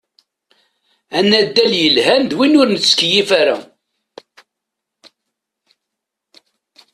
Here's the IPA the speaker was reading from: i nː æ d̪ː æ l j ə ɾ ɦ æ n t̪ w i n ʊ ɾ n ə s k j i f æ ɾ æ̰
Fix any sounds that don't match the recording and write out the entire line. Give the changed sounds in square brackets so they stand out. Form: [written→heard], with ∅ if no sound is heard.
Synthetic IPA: [i→æ] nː æ d̪ː æ l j ə [ɾ→l] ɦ æ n [t̪→d̪] w i n ʊ ɾ n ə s k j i f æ ɾ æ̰